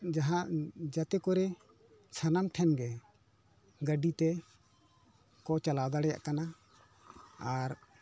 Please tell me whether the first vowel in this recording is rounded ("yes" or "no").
no